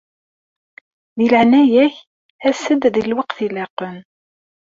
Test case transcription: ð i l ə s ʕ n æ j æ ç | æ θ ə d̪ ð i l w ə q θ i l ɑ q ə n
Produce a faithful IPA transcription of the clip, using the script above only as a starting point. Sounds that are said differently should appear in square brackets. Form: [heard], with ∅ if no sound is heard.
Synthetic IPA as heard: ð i l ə [∅] ʕ n æ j æ ç | æ [s] ə d̪ ð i l w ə q θ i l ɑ q ə n